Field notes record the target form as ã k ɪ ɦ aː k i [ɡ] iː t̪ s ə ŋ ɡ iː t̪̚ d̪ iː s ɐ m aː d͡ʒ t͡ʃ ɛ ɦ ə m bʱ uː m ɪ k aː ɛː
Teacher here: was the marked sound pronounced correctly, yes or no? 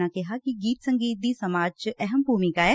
yes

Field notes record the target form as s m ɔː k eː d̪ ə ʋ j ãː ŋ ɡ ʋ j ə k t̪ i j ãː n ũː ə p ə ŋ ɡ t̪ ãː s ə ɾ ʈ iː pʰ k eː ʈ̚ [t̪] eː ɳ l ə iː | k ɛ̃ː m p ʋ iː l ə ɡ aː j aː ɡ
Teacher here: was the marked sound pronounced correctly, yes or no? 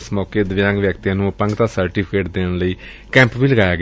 no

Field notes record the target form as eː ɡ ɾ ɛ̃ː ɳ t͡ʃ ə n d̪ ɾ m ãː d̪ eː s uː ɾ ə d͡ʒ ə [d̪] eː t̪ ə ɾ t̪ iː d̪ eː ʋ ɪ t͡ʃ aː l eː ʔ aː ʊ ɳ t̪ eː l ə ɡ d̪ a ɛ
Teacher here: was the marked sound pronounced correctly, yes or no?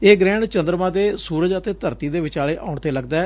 no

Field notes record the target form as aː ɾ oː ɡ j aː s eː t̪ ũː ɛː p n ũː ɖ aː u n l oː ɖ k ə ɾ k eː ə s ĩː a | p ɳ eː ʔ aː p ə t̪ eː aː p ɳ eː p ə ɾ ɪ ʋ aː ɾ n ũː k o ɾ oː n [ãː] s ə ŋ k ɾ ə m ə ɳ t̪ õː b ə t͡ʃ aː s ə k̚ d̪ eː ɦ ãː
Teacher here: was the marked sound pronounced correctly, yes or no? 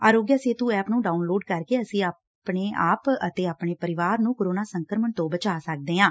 no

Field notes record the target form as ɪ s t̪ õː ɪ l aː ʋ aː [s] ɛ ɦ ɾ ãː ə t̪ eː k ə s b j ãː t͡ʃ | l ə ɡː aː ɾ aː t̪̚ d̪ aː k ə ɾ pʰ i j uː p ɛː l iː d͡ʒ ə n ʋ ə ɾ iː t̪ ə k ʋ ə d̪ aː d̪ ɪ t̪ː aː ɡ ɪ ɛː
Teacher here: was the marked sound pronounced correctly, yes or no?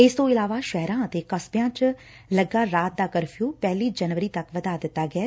no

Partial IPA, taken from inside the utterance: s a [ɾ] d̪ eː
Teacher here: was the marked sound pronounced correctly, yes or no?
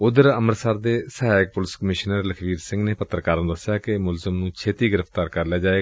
yes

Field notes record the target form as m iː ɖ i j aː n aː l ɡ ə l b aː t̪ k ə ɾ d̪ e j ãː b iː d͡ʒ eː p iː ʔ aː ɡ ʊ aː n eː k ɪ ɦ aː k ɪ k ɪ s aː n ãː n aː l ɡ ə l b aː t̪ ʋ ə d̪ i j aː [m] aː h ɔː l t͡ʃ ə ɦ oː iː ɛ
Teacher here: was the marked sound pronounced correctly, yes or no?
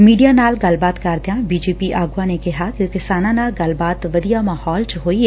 yes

